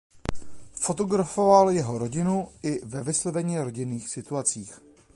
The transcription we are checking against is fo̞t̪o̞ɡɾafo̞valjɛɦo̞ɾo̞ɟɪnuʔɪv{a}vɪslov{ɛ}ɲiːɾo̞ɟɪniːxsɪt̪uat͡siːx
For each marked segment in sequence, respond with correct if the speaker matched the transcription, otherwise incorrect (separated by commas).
incorrect, correct